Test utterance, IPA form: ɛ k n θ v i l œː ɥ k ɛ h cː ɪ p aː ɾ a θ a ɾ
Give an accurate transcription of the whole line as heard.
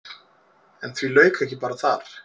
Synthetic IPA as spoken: ɛ n θ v i l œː ɥ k ɛ h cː ɪ p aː ɾ a θ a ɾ